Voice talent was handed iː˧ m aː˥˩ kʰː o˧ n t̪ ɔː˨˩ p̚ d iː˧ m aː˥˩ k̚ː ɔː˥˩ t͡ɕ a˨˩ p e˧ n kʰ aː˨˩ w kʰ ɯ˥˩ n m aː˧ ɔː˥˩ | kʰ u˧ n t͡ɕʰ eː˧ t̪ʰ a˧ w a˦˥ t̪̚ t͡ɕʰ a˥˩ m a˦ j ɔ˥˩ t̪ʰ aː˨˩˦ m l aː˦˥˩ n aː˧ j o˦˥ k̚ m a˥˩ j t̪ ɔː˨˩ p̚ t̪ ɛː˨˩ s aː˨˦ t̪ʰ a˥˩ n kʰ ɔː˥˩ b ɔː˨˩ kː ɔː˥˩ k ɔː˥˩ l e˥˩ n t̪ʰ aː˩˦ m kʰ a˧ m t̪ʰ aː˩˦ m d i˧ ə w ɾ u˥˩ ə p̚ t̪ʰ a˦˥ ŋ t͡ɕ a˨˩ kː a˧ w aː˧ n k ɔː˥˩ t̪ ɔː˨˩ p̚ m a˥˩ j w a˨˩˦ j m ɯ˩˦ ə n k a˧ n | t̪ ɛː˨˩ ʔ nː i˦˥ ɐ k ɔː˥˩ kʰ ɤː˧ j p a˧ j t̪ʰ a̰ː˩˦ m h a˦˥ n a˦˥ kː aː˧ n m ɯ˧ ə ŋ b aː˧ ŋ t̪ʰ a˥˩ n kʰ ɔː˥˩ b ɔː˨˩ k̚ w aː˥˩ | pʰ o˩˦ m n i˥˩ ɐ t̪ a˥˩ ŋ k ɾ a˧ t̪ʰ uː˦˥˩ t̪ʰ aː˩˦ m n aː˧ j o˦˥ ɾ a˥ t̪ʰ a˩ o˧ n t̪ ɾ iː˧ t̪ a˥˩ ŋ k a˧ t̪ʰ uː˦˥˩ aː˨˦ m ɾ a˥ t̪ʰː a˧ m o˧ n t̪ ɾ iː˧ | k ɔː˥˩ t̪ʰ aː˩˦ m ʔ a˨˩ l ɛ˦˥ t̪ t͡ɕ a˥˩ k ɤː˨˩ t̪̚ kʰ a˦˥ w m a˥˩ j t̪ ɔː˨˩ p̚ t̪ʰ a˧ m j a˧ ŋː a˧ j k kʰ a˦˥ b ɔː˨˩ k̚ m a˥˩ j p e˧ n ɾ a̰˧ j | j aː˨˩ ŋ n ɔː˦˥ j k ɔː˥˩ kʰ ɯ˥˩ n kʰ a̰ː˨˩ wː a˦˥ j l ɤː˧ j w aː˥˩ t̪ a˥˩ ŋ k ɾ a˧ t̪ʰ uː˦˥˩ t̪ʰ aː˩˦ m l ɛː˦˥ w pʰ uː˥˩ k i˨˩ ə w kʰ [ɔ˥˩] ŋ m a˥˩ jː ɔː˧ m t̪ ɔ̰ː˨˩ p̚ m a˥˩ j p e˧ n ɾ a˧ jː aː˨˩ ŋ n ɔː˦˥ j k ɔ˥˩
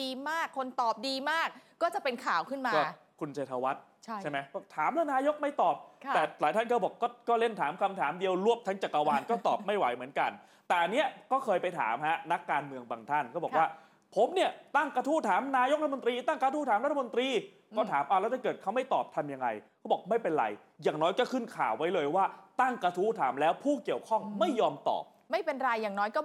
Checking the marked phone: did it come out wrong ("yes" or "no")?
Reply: no